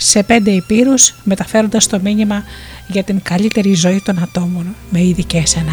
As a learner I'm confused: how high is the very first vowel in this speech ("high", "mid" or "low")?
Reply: mid